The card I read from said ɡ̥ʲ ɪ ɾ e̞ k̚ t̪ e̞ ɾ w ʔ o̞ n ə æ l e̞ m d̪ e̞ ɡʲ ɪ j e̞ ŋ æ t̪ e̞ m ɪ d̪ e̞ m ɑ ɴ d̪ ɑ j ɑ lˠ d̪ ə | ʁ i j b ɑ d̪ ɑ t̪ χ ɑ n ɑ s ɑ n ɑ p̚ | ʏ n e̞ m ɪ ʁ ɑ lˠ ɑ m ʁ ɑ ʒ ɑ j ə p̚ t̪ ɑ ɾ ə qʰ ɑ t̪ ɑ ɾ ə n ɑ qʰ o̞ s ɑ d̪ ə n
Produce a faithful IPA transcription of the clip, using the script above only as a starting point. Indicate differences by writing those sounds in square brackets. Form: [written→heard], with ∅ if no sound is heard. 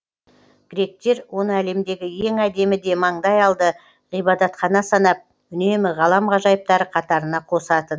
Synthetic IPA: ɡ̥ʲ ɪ ɾ e̞ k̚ t̪ e̞ ɾ w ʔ o̞ n ə æ l e̞ m d̪ e̞ ɡʲ ɪ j e̞ ŋ æ [t̪→d̪] e̞ m ɪ d̪ e̞ m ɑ ɴ d̪ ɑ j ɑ lˠ d̪ ə | ʁ i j b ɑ d̪ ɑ t̪ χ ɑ n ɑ s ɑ n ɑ p̚ | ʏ n e̞ m ɪ ʁ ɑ lˠ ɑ m ʁ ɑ ʒ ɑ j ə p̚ t̪ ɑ ɾ ə qʰ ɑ t̪ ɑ ɾ ə n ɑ qʰ o̞ s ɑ [d̪→t̪] ə n